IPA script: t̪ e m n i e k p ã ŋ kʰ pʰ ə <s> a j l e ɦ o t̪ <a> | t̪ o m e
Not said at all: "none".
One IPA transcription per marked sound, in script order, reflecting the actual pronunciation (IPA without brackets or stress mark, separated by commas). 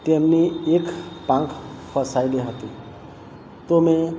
s, i